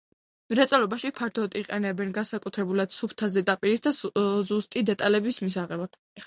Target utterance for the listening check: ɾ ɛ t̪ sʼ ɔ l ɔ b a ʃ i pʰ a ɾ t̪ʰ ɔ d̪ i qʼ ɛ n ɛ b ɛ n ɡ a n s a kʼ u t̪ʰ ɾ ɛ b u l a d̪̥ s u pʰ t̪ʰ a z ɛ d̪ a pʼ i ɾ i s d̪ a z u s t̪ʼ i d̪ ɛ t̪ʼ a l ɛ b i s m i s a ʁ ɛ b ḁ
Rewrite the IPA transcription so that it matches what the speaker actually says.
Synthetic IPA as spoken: ɾ ɛ t̪ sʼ ɔ l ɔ b a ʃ i pʰ a ɾ t̪ʰ ɔ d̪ i qʼ ɛ n ɛ b ɛ n ɡ a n s a kʼ u t̪ʰ ɾ ɛ b u l a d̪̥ s u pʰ t̪ʰ a z ɛ d̪ a pʼ i ɾ i s d̪ a z u s t̪ʼ i d̪ ɛ t̪ʼ a l ɛ b i s m i s a ʁ ɛ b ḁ